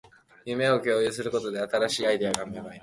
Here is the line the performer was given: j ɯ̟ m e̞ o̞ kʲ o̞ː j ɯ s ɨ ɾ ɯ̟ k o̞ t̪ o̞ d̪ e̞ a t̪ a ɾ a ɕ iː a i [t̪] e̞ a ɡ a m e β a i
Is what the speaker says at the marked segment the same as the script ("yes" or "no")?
no